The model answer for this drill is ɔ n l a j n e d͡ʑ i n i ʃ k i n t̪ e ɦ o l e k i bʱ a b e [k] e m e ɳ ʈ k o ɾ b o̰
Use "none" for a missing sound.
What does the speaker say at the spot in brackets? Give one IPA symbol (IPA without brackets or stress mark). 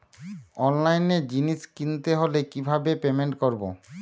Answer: p